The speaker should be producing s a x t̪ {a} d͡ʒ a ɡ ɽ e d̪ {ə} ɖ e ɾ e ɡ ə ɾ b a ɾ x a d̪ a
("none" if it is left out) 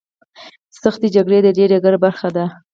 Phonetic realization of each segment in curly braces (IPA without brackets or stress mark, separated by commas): e, ə